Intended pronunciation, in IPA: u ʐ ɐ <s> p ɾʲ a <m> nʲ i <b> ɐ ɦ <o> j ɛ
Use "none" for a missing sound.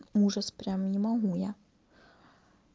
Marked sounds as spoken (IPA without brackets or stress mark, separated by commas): s, m, m, u